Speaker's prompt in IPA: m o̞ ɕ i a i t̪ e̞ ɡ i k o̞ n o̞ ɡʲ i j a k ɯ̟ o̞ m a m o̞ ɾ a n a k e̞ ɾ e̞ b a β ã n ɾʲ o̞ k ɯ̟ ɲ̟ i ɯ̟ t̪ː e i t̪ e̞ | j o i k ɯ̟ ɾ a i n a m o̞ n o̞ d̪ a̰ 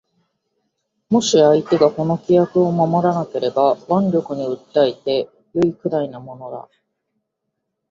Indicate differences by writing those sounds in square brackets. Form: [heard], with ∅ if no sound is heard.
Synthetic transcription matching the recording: m o̞ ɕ i a i t̪ e̞ ɡ [a] k o̞ n o̞ [kʲ] i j a k ɯ̟ o̞ m a m o̞ ɾ a n a k e̞ ɾ e̞ b a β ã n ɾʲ o̞ k ɯ̟ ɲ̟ i ɯ̟ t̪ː [a] i t̪ e̞ | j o i k ɯ̟ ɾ a i n a m o̞ n o̞ d̪ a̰